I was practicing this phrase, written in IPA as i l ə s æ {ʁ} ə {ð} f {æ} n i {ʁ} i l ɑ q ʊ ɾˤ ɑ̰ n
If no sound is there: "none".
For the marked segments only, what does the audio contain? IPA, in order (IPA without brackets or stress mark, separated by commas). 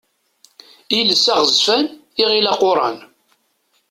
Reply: ʁ, z, æ, ʁ